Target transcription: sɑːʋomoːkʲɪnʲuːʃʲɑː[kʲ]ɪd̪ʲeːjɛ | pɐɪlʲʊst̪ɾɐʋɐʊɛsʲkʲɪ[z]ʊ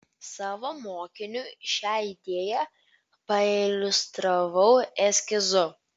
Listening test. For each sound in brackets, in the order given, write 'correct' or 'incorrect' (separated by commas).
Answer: incorrect, correct